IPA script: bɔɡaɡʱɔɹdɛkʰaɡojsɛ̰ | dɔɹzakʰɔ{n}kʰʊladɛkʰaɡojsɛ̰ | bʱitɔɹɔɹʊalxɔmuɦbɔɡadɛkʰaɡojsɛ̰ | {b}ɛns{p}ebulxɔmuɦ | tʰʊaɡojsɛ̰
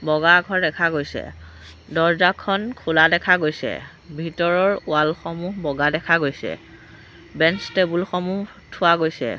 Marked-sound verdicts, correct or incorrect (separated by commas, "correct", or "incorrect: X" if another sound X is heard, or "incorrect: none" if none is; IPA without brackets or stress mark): correct, correct, incorrect: t